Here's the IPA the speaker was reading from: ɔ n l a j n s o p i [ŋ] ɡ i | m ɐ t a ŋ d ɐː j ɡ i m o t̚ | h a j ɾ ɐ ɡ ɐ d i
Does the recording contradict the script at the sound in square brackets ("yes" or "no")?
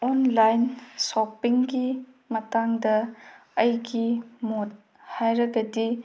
no